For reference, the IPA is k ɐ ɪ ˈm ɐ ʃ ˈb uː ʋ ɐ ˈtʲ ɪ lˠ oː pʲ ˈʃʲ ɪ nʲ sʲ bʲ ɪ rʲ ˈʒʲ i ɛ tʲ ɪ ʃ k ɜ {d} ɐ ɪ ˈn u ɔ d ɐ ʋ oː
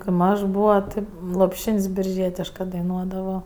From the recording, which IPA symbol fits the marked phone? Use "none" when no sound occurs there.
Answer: d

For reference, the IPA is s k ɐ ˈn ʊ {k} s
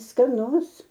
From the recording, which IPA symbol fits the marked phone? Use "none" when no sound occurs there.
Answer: none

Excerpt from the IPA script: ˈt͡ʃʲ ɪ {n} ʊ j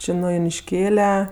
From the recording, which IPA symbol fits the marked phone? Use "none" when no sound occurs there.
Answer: n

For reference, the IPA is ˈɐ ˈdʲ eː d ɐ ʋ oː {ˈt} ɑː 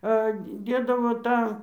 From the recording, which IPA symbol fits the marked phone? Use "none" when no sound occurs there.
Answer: t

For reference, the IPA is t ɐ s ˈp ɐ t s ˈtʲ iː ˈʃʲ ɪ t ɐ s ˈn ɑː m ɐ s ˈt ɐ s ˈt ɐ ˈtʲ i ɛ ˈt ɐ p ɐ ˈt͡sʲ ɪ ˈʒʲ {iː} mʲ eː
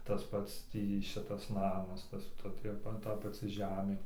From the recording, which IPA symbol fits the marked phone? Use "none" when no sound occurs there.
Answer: æː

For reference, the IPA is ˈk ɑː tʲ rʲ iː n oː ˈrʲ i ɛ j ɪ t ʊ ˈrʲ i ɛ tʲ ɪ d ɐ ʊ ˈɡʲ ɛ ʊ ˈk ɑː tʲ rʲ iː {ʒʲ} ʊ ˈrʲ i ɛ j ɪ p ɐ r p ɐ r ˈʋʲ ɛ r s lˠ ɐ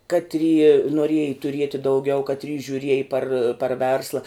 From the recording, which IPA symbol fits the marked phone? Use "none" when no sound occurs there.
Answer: ʒʲ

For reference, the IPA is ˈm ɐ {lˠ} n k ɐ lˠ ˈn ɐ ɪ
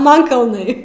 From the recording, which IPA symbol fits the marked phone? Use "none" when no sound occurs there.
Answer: none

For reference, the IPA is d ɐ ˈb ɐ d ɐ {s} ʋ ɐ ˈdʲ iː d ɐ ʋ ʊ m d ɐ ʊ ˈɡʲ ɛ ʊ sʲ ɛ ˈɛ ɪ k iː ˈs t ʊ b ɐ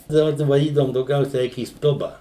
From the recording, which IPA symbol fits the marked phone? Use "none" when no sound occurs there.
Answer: none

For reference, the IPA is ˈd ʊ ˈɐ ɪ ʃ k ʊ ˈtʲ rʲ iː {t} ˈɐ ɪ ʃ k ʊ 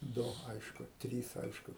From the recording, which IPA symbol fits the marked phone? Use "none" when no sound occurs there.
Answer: s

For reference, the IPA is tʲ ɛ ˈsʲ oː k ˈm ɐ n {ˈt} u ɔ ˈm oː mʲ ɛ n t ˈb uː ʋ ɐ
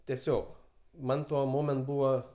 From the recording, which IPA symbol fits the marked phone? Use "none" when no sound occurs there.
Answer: t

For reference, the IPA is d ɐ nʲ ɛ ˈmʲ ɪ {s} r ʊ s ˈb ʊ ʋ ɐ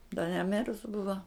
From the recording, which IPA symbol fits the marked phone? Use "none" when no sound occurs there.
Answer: none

